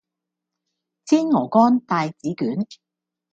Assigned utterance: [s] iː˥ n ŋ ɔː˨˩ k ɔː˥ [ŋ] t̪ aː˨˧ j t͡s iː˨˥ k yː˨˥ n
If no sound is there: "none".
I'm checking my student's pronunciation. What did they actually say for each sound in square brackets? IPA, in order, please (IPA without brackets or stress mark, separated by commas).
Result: t͡s, n